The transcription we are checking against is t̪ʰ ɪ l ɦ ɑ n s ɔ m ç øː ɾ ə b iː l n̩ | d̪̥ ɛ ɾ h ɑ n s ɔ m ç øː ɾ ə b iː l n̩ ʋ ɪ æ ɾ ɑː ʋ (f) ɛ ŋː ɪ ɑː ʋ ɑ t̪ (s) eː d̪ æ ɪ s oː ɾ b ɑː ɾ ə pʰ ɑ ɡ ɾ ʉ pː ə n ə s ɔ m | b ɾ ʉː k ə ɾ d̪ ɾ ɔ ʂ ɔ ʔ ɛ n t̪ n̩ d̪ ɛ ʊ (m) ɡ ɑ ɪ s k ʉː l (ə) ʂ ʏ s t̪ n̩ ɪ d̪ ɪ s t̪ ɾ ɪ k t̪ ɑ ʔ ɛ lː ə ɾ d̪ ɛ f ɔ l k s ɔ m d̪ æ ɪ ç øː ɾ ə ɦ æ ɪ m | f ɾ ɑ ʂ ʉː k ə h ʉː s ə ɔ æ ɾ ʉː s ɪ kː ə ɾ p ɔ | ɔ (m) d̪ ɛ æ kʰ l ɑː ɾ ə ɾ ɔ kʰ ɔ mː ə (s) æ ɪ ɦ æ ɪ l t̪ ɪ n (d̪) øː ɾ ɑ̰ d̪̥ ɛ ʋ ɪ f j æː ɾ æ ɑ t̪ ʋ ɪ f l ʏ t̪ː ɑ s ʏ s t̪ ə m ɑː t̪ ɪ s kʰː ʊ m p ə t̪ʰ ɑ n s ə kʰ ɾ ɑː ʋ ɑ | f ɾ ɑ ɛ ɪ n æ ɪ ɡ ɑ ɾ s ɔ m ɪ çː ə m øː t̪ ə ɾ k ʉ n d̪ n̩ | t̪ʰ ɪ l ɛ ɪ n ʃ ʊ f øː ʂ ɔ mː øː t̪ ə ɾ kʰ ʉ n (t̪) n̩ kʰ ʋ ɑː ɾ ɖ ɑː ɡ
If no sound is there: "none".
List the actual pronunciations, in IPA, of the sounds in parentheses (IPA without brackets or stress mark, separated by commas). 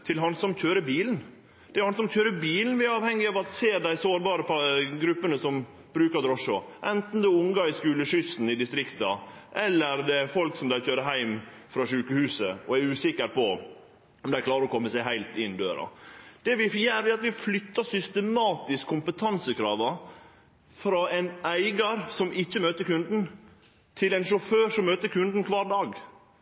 h, s, ŋ, ə, m, s, d̪, d̪